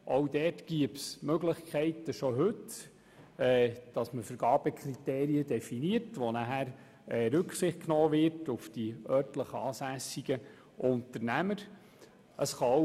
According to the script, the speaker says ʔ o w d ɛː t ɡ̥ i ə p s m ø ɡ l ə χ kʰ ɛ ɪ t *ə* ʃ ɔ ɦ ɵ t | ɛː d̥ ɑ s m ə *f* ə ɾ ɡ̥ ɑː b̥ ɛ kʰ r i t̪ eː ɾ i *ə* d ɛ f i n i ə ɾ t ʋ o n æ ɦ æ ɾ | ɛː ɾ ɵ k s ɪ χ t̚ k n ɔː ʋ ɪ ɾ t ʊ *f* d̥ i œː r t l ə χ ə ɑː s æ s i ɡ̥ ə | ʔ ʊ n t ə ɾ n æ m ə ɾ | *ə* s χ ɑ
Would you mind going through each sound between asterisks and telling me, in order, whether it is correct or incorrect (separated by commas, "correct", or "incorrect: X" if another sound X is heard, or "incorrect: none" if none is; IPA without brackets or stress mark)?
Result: correct, correct, correct, correct, correct